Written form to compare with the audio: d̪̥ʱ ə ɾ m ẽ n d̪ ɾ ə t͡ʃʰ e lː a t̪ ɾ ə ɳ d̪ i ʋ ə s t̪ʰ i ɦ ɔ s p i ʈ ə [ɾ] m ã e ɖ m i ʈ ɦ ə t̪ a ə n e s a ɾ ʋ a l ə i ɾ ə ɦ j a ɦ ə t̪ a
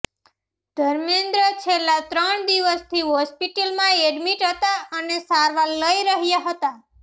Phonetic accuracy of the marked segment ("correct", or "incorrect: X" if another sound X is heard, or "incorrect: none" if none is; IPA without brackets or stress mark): incorrect: l